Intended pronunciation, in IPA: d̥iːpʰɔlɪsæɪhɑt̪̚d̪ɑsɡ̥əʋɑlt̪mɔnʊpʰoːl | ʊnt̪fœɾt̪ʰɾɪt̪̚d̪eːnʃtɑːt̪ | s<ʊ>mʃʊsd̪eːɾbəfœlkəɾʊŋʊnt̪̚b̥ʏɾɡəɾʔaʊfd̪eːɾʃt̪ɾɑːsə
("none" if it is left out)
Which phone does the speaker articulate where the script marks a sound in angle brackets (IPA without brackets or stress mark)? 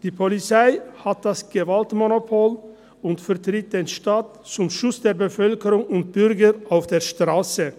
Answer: ʊ